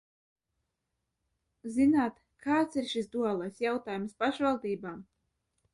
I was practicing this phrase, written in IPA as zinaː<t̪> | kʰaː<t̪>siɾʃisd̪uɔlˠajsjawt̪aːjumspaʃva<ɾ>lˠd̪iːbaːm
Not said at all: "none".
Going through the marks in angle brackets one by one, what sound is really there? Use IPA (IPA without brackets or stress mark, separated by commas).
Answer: t̪, t̪, none